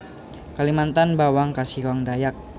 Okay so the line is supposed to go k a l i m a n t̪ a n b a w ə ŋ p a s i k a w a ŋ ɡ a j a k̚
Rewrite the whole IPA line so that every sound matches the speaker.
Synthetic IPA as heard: k a l i m a n t̪ a n b a w a ŋ k a s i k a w a ŋ d a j a k̚